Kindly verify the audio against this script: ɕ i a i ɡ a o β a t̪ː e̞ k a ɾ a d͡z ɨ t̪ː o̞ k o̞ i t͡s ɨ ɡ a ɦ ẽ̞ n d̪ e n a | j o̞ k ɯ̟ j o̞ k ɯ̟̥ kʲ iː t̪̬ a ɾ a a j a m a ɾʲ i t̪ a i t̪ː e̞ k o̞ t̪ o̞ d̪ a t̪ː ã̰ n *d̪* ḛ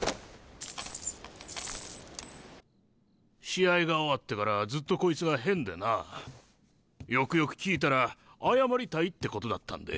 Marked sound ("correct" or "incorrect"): correct